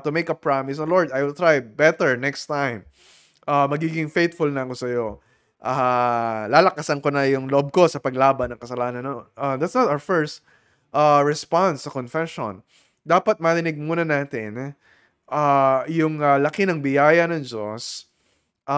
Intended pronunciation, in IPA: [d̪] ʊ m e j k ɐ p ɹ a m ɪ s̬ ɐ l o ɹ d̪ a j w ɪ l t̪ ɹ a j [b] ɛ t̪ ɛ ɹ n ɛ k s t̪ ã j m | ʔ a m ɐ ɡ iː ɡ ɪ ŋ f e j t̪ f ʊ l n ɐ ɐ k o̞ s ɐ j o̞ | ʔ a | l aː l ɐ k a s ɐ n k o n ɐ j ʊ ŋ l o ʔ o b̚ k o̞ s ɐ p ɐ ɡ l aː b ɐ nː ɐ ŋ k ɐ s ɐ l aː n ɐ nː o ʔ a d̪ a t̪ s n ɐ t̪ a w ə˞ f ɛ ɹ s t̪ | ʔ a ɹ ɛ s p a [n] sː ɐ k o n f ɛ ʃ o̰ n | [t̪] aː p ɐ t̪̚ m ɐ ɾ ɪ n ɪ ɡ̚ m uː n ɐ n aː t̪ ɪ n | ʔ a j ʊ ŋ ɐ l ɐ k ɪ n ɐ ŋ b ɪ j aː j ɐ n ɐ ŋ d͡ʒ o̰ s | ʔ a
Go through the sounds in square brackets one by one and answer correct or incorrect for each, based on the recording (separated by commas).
incorrect, correct, correct, incorrect